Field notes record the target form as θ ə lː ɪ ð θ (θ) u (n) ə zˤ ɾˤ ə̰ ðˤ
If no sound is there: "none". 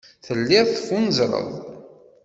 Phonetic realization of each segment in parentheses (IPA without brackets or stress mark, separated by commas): f, n